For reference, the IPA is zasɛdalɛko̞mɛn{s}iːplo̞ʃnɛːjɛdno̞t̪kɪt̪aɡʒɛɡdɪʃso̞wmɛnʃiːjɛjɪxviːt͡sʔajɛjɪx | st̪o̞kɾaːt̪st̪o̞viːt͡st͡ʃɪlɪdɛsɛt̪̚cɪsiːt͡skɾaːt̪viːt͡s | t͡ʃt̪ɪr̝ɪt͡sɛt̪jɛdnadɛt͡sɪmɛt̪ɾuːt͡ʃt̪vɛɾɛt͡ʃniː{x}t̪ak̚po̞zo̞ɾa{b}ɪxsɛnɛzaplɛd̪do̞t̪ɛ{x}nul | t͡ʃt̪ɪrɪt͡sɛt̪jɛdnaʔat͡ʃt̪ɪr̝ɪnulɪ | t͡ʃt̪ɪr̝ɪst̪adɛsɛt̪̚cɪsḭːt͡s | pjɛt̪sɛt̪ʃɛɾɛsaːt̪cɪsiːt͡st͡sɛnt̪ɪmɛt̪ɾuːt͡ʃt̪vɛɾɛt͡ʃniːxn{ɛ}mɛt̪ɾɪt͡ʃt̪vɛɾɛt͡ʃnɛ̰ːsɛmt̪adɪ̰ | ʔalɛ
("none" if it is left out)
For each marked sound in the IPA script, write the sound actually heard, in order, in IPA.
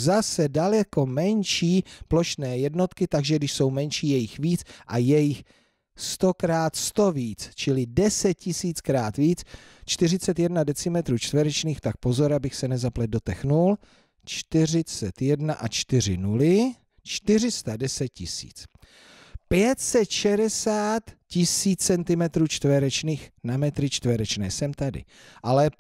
ʃ, x, b, x, a

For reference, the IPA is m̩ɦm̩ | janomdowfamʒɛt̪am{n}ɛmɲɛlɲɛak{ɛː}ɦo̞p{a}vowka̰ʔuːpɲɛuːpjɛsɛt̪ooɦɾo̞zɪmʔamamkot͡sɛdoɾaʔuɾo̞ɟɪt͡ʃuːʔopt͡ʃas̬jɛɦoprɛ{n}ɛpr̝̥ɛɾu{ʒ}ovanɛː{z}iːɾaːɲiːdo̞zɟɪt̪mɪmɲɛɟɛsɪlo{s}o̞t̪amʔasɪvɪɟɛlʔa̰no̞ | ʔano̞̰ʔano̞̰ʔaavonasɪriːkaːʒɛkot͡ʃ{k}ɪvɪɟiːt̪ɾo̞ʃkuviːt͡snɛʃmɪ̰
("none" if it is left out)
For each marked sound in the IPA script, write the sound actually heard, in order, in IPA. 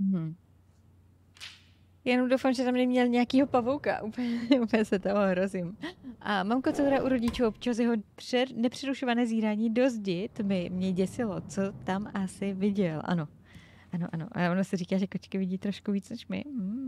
n, iː, a, n, ʃ, z, t͡s, k

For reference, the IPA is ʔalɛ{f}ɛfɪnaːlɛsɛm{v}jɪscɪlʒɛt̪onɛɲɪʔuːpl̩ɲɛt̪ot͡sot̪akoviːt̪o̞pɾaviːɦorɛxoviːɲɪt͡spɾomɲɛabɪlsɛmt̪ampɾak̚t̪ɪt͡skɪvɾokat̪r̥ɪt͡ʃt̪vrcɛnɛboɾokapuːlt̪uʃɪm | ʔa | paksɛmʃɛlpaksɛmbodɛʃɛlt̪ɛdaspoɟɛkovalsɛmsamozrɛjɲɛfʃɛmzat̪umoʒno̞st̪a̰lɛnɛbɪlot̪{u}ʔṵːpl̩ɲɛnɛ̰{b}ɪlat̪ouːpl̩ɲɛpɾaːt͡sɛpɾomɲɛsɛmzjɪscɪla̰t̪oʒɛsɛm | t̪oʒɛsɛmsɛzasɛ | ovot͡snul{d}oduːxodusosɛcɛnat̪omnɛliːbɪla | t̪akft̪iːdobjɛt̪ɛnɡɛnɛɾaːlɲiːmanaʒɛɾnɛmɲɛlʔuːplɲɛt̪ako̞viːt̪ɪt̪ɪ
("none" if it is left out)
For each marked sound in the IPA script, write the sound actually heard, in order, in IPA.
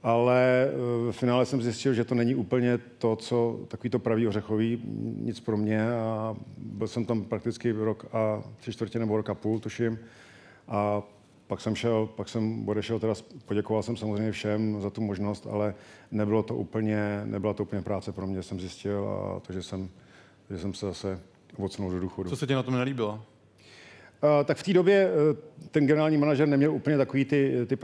v, z, o, b, d

